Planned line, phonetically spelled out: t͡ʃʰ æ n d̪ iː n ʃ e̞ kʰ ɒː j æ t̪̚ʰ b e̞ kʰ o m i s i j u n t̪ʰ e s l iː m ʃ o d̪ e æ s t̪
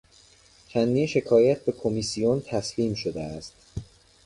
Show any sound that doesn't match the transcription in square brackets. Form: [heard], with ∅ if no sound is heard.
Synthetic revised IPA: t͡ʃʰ æ n d̪ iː n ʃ e̞ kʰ ɒː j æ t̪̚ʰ b e̞ kʰ o m i s i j [o] n t̪ʰ [æ] s l iː m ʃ o d̪ e æ s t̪